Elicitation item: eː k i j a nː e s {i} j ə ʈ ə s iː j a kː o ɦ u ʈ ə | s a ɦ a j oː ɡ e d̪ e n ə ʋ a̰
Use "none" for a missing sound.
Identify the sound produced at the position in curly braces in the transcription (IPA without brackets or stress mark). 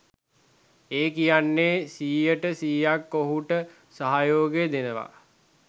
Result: iː